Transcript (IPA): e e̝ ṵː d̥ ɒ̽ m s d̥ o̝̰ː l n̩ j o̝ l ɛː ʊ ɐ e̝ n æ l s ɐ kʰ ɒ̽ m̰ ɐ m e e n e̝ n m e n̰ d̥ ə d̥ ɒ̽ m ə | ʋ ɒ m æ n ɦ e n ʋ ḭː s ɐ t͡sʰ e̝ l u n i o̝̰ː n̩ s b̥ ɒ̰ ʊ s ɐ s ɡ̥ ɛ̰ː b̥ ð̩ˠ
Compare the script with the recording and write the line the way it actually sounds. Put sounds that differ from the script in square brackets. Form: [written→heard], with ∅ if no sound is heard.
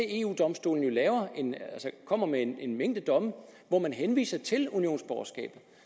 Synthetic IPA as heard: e e̝ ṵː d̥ ɒ̽ m s d̥ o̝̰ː l n̩ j o̝ l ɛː ʊ ɐ e̝ n æ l s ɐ kʰ ɒ̽ m̰ ɐ m e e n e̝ n m e [n̰→ŋ̰] d̥ ə d̥ ɒ̽ m ə | ʋ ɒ m æ n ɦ e n ʋ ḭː s ɐ t͡sʰ e̝ l u n i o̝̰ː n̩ s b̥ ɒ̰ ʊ [s→∅] ɐ s ɡ̥ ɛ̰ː b̥ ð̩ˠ